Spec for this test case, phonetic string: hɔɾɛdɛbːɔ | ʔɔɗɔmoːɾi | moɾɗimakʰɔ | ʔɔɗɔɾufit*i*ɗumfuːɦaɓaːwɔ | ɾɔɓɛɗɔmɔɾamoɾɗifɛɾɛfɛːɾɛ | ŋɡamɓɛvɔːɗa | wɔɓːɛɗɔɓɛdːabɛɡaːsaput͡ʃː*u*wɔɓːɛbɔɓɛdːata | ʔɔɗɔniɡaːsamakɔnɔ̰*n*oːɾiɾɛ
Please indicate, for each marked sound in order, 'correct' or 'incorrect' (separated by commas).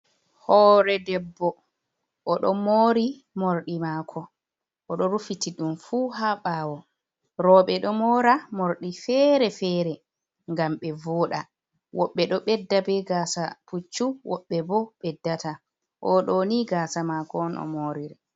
correct, correct, incorrect